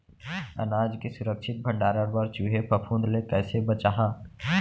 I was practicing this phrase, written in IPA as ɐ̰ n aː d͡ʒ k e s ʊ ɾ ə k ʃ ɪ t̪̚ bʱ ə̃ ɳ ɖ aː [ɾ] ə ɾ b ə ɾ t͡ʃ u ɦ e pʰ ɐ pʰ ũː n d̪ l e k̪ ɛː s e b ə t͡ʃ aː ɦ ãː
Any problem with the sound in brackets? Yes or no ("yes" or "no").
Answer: no